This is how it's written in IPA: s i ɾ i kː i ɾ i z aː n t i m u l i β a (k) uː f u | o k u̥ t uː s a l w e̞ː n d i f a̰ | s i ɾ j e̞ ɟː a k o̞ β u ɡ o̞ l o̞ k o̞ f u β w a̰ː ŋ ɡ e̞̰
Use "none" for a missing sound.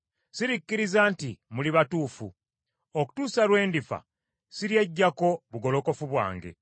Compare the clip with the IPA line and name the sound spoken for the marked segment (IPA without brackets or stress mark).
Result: t